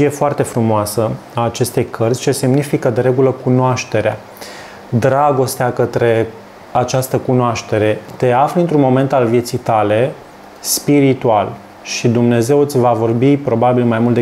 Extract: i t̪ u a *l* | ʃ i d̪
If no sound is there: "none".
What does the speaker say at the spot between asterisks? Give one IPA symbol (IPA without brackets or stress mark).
l